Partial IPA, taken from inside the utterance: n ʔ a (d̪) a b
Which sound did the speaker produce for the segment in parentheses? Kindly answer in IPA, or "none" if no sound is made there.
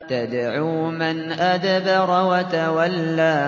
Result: d̪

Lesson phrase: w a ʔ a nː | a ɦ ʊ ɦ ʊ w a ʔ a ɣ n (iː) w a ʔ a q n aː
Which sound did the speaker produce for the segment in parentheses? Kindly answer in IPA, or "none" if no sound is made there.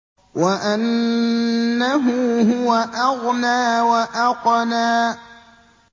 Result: aː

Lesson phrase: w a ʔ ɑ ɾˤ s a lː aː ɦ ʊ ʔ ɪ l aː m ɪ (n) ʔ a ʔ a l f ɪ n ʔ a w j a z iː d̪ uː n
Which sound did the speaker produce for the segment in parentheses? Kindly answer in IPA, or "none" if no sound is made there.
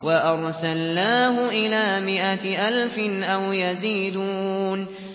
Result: none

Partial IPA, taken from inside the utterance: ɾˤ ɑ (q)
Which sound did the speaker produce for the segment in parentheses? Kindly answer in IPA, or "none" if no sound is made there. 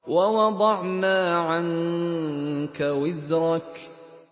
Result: k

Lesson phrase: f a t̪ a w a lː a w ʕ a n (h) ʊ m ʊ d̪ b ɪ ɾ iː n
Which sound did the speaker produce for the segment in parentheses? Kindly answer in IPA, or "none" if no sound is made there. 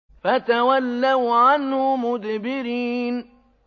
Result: h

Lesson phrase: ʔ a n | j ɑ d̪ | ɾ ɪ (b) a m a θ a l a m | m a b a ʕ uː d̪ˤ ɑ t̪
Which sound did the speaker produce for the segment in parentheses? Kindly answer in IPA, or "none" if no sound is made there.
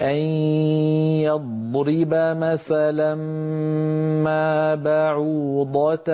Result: b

